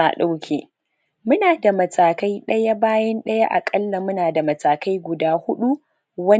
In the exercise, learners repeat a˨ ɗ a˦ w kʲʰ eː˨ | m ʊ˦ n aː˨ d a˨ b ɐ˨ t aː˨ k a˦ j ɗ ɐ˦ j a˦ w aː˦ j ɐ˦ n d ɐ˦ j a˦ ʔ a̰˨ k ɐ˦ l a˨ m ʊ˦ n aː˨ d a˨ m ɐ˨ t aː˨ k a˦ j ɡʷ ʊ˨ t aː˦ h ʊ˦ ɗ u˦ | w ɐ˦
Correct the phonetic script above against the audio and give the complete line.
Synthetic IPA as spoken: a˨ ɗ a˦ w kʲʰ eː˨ | m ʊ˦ n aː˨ d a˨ m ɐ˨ t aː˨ k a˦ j ɗ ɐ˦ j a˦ b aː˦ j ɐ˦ n ɗ ɐ˦ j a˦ ʔ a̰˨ kʼ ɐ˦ lː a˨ m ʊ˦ n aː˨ d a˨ m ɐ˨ t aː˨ k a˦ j ɡʷ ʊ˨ d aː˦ h ʊ˦ ɗ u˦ | w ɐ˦